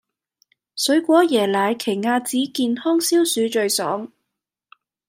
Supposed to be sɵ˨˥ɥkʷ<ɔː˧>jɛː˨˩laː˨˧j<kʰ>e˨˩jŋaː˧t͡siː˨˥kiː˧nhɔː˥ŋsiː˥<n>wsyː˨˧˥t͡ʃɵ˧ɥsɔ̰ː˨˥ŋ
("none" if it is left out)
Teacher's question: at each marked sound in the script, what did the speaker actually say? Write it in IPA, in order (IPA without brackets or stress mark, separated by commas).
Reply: ɔː˨˥, kʰ, none